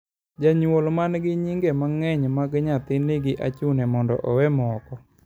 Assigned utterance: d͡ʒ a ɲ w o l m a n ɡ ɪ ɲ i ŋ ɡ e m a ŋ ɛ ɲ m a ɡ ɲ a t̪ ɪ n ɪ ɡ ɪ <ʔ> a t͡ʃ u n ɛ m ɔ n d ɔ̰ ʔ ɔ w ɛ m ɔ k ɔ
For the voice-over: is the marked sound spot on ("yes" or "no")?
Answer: yes